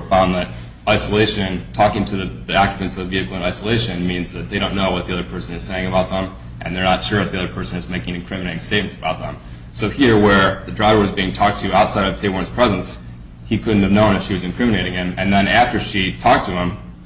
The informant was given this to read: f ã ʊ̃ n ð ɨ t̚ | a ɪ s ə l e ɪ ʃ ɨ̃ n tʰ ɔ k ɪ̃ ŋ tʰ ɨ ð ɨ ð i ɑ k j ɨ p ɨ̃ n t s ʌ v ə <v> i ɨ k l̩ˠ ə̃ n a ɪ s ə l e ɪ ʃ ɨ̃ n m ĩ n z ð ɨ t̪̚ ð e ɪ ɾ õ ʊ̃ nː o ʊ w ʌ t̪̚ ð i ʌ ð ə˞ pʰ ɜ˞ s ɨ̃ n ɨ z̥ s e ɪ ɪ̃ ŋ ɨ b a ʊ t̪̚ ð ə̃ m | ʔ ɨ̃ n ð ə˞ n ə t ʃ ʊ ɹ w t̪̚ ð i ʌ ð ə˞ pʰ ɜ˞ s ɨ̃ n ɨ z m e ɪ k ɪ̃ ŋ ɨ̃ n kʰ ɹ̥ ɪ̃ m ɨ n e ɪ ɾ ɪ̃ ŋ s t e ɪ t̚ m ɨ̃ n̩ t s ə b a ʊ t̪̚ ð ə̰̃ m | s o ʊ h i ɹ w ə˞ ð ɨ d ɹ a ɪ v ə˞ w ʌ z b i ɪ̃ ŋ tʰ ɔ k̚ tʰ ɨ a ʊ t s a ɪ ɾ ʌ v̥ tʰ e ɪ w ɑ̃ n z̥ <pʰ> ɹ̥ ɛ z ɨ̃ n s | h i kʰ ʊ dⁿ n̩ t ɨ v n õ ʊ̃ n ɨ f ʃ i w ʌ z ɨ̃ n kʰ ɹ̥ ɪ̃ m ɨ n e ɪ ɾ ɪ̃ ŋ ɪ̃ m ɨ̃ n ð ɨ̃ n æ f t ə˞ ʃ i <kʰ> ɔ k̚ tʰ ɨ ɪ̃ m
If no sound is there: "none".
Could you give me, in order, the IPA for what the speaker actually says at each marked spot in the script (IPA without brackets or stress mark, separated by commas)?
v, pʰ, tʰ